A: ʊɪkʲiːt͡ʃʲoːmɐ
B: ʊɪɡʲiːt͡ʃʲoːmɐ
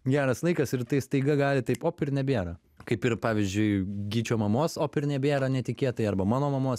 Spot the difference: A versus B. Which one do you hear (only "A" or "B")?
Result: B